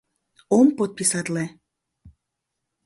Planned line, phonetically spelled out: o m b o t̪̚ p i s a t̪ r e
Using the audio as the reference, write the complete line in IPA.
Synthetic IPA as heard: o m p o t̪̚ p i s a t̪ l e